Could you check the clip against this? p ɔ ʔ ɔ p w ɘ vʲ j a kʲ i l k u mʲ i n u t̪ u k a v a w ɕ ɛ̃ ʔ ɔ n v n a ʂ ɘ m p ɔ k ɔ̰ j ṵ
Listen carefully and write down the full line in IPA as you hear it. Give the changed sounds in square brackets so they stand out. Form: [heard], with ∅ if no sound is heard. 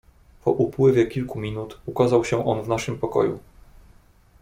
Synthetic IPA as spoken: p ɔ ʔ [u] p w ɘ vʲ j [ɛ] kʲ i l k u mʲ i n u t̪ u k a [z] a w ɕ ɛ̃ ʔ ɔ n v n a ʂ ɘ m p ɔ k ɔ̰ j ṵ